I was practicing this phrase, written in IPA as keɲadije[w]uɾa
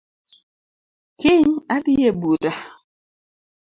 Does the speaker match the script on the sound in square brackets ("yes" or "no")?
no